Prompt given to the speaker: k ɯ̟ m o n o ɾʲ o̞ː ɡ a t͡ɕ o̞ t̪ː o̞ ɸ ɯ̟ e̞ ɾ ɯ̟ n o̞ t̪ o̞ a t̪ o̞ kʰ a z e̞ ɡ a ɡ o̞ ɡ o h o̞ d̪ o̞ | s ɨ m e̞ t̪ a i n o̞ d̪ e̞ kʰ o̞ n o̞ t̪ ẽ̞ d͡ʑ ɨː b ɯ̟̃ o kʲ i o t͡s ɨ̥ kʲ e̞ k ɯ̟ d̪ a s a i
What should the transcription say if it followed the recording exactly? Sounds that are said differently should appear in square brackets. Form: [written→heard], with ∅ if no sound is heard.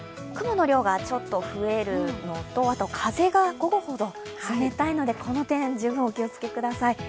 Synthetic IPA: k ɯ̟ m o n o ɾʲ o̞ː ɡ a t͡ɕ o̞ t̪ː o̞ ɸ ɯ̟ e̞ ɾ ɯ̟ n o̞ t̪ o̞ a t̪ o̞ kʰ a z e̞ ɡ a ɡ o̞ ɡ o h o̞ d̪ o̞ | s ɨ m e̞ t̪ a i n o̞ d̪ e̞ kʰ o̞ n o̞ t̪ ẽ̞ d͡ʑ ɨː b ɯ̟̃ o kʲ i o t͡s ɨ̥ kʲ e̞ k ɯ̟ d̪ a s a i